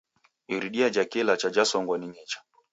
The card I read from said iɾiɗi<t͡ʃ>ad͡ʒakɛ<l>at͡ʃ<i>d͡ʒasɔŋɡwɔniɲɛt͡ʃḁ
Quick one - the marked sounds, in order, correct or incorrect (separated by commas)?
incorrect, correct, incorrect